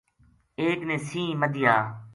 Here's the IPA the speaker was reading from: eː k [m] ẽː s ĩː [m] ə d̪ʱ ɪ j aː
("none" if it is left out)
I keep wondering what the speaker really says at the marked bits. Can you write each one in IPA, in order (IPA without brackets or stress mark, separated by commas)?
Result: n, m